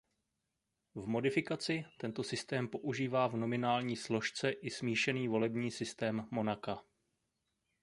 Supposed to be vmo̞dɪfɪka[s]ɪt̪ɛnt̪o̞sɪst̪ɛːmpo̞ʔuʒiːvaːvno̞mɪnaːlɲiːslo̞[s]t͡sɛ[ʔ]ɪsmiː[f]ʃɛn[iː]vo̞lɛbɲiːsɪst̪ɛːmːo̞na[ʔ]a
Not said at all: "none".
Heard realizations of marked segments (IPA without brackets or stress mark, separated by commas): t͡s, ʃ, ʔ, none, iː, k